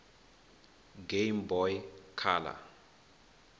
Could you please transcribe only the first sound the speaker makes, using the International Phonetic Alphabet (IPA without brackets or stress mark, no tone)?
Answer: ɡ